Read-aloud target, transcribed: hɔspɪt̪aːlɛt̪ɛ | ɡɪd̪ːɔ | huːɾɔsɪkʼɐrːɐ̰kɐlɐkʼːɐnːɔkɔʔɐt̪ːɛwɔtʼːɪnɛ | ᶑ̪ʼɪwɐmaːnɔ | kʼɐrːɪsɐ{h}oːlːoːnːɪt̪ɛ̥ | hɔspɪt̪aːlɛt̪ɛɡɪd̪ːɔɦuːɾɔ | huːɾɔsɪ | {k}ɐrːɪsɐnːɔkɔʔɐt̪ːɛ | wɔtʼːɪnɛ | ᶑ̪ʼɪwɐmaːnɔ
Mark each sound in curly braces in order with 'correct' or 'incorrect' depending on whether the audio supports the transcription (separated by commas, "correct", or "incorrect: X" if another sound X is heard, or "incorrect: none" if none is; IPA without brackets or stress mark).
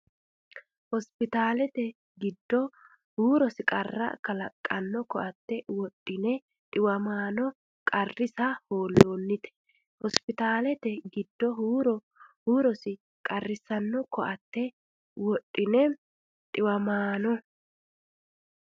correct, incorrect: kʼ